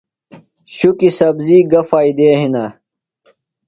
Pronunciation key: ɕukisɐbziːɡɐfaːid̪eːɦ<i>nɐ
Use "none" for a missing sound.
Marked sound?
i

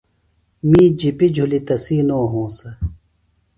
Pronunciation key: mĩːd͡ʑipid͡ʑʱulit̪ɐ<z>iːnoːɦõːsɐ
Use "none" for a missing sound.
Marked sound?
s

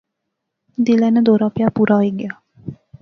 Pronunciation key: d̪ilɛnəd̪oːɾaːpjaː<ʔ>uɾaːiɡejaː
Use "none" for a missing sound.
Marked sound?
p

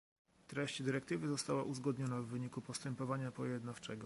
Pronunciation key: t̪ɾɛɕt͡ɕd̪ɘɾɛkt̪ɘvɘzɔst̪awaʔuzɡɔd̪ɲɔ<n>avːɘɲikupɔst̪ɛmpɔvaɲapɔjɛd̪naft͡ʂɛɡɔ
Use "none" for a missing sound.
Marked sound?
n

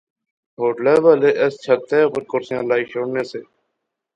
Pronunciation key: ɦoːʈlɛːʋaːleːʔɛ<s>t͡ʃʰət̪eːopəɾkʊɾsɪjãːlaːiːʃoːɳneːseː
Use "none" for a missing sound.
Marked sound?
s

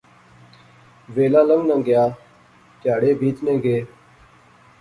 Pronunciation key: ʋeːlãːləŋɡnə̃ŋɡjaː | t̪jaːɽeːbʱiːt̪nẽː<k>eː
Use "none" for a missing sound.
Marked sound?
ɡ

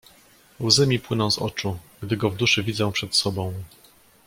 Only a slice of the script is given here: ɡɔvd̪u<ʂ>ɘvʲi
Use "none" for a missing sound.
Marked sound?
ʂ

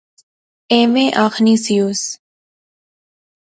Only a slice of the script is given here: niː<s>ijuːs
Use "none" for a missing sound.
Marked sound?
s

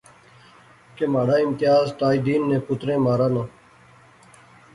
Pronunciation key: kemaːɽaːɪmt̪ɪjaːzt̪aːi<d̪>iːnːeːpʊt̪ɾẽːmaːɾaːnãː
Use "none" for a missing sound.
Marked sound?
d̪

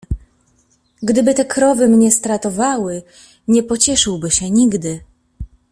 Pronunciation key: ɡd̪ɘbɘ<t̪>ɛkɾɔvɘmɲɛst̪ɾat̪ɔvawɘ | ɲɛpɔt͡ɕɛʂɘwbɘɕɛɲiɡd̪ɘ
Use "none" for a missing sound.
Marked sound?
t̪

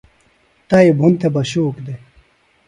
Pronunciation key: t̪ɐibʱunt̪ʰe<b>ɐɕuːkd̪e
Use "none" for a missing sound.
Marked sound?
b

